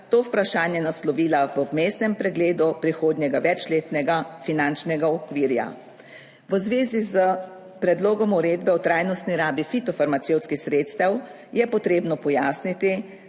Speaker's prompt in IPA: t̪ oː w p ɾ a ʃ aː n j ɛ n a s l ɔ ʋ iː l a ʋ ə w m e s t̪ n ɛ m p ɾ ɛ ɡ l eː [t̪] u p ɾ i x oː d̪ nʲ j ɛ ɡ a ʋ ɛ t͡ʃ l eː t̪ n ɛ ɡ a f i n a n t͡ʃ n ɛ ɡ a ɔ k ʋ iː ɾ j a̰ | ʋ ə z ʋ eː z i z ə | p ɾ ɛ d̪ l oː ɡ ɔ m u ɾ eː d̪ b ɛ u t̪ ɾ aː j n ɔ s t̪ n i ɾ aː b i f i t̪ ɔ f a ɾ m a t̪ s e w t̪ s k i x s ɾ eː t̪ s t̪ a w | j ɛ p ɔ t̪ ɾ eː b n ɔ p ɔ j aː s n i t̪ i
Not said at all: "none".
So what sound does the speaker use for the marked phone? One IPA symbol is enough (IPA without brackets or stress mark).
d̪